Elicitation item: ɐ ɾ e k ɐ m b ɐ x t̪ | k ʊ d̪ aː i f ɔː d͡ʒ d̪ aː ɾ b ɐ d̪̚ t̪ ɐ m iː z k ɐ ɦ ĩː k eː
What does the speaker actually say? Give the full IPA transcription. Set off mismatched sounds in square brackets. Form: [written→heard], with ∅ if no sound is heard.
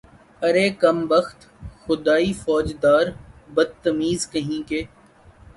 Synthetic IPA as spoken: ɐ ɾ e k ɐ m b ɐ x t̪ | [k→x] ʊ d̪ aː i f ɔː d͡ʒ d̪ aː ɾ b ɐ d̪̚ t̪ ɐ m iː z k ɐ ɦ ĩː k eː